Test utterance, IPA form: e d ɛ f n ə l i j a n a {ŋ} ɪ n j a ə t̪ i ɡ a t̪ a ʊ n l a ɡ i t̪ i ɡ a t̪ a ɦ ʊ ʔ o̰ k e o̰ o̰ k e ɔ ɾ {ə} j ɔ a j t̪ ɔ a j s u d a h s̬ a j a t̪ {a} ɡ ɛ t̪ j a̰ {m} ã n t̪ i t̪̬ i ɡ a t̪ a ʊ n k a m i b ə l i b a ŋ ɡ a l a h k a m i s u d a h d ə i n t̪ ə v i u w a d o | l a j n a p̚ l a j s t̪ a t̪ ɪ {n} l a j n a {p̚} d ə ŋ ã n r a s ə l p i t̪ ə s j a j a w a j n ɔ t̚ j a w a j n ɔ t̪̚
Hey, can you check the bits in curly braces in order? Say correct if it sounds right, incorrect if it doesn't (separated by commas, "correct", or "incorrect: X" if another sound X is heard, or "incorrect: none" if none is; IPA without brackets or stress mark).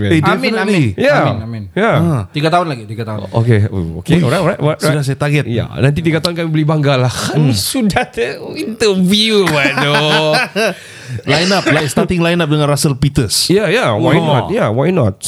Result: incorrect: m, incorrect: a, correct, incorrect: n, incorrect: ŋ, correct